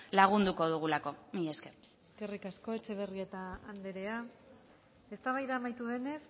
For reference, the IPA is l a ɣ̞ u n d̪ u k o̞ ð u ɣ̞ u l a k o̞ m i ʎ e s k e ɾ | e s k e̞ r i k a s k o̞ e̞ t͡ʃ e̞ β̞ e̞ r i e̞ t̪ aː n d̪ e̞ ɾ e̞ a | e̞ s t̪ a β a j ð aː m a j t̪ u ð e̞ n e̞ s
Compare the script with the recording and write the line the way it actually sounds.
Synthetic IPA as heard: l a ɣ̞ u n d̪ u k o̞ ð u ɣ̞ u l a k o̞ m i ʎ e s k e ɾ | e s k e̞ r i k a s k o̞ e̞ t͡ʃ e̞ β̞ e̞ r i e̞ t̪ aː n d̪ e̞ ɾ e̞ a | e̞ s t̪ a β a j ð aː m a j t̪ u ð e̞ n e̞ s